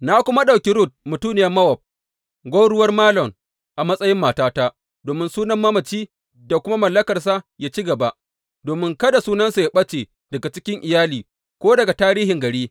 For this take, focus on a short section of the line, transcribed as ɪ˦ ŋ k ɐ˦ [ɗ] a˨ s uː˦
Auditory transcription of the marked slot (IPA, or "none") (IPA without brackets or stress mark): d